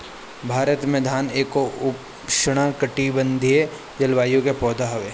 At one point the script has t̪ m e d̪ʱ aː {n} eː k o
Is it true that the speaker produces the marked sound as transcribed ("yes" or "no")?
yes